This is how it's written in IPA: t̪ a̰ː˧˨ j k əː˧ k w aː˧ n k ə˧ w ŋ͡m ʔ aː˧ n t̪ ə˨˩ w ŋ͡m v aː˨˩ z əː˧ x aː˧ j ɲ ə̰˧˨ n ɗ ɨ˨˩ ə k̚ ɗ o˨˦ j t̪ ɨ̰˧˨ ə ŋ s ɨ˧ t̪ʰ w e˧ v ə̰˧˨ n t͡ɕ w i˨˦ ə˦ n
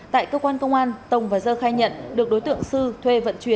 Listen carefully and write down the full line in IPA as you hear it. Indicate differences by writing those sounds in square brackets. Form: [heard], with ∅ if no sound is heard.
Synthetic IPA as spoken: t̪ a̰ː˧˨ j k əː˧ k w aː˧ n k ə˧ w ŋ͡m ʔ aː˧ n t̪ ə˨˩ w ŋ͡m v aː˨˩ z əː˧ x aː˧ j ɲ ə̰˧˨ n ɗ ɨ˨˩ ə k̚ ɗ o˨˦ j t̪ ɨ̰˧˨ ə ŋ s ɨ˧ t̪ʰ w e˧ v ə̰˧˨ n t͡ɕ w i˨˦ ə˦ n